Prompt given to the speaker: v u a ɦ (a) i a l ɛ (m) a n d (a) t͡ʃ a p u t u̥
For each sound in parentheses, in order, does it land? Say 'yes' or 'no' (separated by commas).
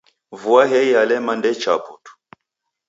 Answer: no, yes, no